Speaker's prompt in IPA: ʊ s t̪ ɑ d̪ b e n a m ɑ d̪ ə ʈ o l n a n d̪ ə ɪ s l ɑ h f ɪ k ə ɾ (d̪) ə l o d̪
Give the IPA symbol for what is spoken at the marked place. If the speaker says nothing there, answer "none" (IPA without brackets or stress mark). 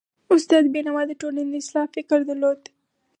d̪